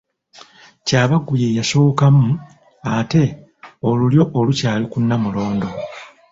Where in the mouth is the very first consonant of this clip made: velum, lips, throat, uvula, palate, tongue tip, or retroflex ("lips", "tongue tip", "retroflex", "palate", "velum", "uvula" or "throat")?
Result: palate